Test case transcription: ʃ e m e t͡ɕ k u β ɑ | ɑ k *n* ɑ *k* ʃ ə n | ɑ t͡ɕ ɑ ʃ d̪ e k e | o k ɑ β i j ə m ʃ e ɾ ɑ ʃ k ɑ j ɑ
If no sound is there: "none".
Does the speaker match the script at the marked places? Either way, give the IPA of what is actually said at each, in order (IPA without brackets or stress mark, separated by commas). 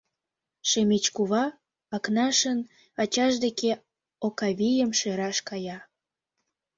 n, none